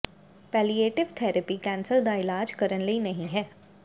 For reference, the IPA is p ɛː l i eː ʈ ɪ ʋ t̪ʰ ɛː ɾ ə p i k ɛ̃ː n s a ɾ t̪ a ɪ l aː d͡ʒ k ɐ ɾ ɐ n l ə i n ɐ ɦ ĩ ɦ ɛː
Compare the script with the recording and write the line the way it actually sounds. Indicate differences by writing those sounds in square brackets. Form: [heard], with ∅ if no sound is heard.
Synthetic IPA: p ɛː l i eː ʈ ɪ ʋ t̪ʰ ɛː ɾ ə p i k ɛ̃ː n s [ə] ɾ [d̪] a ɪ l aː d͡ʒ k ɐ ɾ [ə] n l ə i n ɐ ɦ ĩ ɦ ɛː